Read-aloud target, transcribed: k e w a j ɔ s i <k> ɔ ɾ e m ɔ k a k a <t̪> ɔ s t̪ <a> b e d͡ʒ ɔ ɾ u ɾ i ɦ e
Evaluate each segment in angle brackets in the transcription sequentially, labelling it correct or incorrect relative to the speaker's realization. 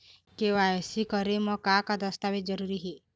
correct, incorrect, correct

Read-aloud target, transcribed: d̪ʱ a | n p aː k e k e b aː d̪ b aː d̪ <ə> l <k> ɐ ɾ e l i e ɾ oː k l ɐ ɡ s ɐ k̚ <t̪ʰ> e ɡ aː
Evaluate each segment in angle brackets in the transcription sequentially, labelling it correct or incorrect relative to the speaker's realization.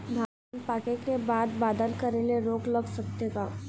correct, correct, incorrect

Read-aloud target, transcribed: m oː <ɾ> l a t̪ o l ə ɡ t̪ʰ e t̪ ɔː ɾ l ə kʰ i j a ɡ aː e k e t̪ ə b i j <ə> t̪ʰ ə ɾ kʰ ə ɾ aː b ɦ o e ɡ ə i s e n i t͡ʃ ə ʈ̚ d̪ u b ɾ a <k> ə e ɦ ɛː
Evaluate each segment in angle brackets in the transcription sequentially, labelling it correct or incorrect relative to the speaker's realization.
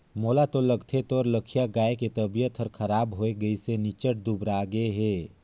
incorrect, correct, incorrect

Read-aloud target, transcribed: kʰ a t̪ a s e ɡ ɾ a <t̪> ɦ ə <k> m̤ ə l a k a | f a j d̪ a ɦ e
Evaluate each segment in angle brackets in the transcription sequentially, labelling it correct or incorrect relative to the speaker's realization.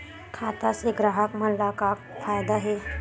incorrect, correct

